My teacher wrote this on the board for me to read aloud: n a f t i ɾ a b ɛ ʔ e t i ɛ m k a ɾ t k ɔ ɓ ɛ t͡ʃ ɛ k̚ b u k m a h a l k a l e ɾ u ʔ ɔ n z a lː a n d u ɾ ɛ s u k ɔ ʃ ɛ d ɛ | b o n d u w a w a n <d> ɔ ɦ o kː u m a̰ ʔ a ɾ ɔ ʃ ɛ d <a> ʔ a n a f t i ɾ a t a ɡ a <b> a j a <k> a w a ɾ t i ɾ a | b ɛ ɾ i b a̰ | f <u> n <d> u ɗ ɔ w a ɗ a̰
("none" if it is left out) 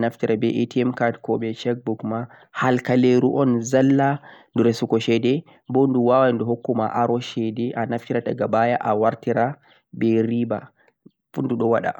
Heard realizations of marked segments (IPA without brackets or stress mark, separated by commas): d, ɛ, b, ʔ, u, d